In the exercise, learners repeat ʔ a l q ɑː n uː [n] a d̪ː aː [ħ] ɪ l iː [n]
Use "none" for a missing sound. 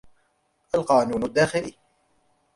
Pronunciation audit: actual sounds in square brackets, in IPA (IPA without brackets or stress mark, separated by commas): n, x, none